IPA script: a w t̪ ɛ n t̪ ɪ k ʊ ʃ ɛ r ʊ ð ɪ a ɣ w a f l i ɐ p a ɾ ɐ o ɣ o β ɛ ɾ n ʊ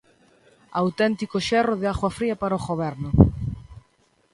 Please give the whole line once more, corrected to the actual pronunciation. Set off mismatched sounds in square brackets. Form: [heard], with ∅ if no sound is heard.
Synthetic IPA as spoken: a w t̪ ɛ n t̪ [i] k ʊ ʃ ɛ r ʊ ð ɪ a ɣ w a f [ɾ] i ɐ p a ɾ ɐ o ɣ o β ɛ ɾ n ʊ